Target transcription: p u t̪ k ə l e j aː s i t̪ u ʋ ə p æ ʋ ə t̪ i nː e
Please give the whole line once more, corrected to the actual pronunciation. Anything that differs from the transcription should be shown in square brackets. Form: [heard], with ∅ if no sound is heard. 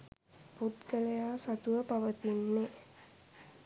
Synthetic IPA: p u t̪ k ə l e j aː s [a] t̪ u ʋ ə p [a] ʋ ə t̪ i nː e